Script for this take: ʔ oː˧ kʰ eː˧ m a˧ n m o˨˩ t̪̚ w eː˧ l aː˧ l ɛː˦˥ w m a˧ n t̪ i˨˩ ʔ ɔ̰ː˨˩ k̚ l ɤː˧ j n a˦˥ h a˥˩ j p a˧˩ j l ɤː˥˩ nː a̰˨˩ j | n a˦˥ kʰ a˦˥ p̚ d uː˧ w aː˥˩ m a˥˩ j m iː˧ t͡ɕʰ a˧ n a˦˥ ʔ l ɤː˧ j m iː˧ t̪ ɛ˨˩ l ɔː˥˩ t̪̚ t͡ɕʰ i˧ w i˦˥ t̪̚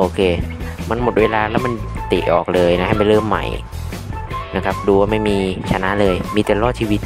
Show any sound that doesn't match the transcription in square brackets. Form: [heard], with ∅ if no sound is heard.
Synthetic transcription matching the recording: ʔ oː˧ kʰ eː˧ m a˧ n m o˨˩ t̪̚ w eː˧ l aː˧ l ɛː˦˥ w m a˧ n t̪ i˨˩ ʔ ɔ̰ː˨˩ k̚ l ɤː˧ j n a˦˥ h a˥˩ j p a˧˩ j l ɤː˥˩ [mː] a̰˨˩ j | n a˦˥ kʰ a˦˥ p̚ d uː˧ w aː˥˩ m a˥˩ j m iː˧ t͡ɕʰ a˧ n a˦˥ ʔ l ɤː˧ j m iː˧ t̪ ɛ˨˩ l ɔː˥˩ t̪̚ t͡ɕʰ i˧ w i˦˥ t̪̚

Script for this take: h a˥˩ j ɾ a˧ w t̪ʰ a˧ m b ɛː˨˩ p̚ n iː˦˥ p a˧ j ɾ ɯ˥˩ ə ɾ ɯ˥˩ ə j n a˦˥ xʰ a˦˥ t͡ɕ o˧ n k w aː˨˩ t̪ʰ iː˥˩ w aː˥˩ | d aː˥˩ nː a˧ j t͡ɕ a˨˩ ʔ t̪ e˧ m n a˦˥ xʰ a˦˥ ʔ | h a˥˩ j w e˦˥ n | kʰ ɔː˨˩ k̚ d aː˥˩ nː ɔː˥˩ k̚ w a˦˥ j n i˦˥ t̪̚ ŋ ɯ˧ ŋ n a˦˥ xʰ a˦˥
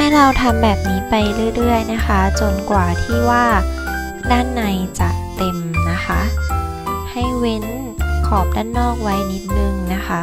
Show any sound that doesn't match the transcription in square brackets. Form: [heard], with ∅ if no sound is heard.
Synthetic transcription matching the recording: h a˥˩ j ɾ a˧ w t̪ʰ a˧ m b ɛː˨˩ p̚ n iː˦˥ p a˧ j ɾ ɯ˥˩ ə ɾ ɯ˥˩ ə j n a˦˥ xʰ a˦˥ t͡ɕ o˧ n k w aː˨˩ t̪ʰ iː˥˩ w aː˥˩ | d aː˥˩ nː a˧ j t͡ɕ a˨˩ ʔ t̪ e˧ m n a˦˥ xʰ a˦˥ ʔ | h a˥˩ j w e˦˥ n | kʰ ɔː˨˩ [p̚] d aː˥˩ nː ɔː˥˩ k̚ w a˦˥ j n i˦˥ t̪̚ [n] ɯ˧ ŋ n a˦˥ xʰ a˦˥

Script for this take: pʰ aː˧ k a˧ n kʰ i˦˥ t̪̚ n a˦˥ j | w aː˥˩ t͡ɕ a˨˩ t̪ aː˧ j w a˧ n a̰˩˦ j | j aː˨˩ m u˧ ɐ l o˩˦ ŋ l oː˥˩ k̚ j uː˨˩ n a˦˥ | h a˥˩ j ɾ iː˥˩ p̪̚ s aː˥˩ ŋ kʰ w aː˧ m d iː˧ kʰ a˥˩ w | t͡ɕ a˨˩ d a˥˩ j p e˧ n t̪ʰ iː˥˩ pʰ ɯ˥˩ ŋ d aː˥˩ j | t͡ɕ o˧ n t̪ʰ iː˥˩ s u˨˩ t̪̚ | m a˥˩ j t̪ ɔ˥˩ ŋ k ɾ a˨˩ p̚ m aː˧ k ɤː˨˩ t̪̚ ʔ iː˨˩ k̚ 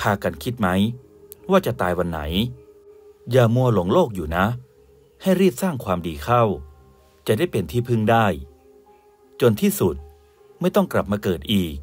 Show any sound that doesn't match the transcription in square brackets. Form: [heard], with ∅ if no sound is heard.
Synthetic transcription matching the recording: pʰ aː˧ k a˧ n kʰ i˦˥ t̪̚ [m] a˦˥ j | w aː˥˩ t͡ɕ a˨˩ t̪ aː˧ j w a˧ [nː] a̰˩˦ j | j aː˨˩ m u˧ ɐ l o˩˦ ŋ l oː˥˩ k̚ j uː˨˩ n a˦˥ | h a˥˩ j ɾ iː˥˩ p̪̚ s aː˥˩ ŋ kʰ w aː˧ m d iː˧ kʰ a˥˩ w | t͡ɕ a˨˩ d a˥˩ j p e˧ n t̪ʰ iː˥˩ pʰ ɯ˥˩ ŋ d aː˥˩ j | t͡ɕ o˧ n t̪ʰ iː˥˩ s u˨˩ t̪̚ | m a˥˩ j t̪ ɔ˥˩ ŋ k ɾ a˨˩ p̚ m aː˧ k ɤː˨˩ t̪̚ ʔ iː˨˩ k̚

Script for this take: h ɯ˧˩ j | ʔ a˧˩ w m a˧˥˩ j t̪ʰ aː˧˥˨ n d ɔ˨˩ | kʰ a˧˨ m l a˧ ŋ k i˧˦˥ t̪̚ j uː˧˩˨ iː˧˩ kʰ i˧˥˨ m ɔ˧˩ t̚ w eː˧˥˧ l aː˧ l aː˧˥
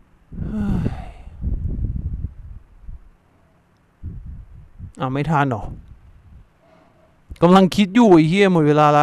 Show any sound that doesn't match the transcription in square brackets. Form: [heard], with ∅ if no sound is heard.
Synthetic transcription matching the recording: h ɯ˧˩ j | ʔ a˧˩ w m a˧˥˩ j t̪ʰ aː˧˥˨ n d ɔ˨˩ | [k] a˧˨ m l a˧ ŋ [kʰ] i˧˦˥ t̪̚ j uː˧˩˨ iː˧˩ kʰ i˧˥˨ m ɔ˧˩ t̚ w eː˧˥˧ l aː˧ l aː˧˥

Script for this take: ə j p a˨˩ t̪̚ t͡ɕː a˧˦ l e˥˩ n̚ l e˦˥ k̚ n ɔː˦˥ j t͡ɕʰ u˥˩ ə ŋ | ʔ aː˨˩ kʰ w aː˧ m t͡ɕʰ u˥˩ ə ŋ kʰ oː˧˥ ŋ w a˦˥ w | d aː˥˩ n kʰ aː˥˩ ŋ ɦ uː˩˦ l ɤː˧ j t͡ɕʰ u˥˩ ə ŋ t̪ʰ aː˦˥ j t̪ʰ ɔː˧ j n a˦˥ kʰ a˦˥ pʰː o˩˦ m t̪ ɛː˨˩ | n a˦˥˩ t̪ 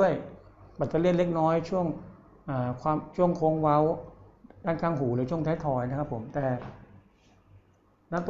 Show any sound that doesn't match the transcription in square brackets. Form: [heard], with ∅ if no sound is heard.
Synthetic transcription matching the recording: ə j p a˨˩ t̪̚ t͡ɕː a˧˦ l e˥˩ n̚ l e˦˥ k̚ n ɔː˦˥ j t͡ɕʰ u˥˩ ə ŋ | ʔ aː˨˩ kʰ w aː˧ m t͡ɕʰ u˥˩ ə ŋ kʰ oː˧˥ ŋ w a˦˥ w | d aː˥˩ n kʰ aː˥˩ ŋ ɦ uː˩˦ l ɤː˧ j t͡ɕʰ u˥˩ ə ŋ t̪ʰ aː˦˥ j t̪ʰ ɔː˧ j n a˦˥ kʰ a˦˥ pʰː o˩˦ m t̪ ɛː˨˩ | n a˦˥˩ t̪

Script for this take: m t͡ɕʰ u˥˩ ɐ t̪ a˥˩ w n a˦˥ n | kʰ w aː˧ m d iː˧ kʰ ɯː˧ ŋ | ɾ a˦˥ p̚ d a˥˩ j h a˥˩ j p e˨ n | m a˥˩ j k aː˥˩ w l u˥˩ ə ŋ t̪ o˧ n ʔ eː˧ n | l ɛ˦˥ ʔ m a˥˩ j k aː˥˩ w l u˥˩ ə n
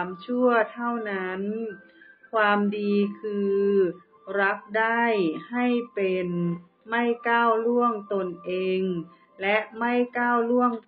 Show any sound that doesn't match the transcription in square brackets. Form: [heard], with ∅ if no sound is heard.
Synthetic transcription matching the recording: m t͡ɕʰ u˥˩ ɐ [t̪ʰ] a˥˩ w n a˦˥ n | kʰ w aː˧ m d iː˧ kʰ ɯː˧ [∅] | ɾ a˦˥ p̚ d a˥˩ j h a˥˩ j p e˨ n | m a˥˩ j k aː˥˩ w l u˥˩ ə ŋ t̪ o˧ n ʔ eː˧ [ŋ] | l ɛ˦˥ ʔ m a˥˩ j k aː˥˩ w l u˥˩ ə [ŋ]

